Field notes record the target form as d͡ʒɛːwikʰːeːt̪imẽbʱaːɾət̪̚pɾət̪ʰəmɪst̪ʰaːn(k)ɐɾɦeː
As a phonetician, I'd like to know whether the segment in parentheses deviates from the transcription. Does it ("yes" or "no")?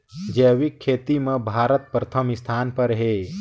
yes